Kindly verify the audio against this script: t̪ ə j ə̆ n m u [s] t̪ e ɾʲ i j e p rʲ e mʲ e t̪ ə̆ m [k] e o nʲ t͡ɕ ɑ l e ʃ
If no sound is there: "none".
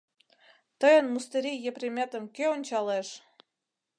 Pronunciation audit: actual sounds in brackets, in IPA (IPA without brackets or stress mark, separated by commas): s, k